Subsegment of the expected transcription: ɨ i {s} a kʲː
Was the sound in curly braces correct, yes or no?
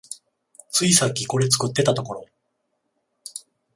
yes